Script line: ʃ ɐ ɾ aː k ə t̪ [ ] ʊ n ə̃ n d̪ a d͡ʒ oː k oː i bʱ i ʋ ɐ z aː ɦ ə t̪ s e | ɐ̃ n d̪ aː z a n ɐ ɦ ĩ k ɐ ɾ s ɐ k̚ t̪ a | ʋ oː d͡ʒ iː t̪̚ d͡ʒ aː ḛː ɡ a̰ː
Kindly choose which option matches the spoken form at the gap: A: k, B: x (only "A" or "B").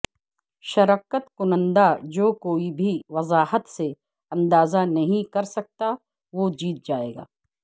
A